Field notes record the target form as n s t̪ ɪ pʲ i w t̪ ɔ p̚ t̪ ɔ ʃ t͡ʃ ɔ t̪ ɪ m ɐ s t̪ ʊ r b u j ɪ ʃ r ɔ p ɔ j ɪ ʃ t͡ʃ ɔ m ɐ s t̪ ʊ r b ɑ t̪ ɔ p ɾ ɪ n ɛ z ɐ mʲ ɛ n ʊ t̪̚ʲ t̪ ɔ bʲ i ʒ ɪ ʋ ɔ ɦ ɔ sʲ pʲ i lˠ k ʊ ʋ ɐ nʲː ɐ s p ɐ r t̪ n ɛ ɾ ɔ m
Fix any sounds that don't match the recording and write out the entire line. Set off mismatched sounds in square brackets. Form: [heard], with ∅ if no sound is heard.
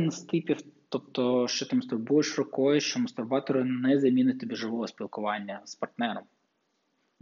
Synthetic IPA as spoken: n s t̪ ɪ pʲ i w t̪ ɔ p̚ t̪ ɔ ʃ t͡ʃ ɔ t̪ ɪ m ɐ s t̪ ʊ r b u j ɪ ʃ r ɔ [k] ɔ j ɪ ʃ t͡ʃ ɔ m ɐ s t̪ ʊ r b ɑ t̪ ɔ [∅] ɾ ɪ n ɛ z ɐ mʲ [i] n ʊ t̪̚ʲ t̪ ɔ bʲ i ʒ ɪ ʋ ɔ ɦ ɔ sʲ pʲ i lˠ k ʊ ʋ [ɑ] nʲː ɐ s p ɐ r t̪ n ɛ ɾ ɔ m